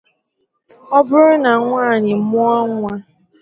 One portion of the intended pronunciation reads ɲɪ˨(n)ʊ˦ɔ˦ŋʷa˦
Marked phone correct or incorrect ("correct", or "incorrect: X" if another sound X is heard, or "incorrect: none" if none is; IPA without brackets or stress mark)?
incorrect: m